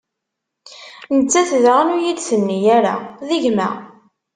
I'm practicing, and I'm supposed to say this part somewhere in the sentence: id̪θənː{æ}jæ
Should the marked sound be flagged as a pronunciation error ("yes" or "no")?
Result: yes